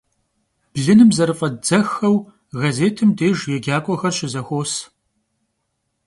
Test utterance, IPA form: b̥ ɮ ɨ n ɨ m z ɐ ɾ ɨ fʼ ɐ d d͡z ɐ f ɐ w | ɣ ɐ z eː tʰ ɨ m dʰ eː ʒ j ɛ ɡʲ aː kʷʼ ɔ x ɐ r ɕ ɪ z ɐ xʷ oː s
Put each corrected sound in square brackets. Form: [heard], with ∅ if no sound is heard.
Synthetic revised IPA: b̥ ɮ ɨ n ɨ m z ɐ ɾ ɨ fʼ ɐ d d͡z ɐ [x] ɐ w | ɣ ɐ z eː tʰ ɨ m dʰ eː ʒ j ɛ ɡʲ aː kʷʼ ɔ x ɐ r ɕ ɪ z ɐ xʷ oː s